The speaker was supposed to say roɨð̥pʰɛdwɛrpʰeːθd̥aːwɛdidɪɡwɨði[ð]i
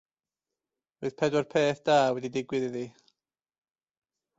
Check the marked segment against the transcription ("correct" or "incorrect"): correct